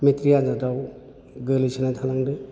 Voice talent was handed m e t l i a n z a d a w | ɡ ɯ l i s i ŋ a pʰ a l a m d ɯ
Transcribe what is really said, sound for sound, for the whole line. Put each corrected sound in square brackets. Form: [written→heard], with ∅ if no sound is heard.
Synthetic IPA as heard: m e t [l→ɾ] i a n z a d a w | ɡ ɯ l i s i [ŋ→n] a [pʰ→tʰ] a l a [m→ŋ] d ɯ